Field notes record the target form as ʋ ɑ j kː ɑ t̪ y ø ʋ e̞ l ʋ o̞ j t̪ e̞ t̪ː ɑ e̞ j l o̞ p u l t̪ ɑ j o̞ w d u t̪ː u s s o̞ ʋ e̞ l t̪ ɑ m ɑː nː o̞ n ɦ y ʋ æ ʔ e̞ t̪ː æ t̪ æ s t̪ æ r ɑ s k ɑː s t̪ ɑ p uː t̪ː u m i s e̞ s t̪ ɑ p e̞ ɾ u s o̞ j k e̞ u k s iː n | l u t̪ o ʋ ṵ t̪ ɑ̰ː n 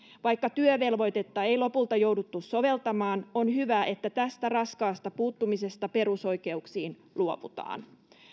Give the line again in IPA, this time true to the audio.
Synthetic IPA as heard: ʋ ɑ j kː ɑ t̪ y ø ʋ e̞ l ʋ o̞ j t̪ e̞ t̪ː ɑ e̞ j l o̞ p u l t̪ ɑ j o̞ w d u t̪ː u s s o̞ ʋ e̞ l t̪ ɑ m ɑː n o̞ n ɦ y ʋ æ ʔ e̞ t̪ː æ t̪ æ s t̪ æ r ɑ s k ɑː s t̪ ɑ p uː t̪ː u m i s e̞ s t̪ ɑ p e̞ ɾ u s o̞ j k e̞ u k s iː n | l u o ʋ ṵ t̪ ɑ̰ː n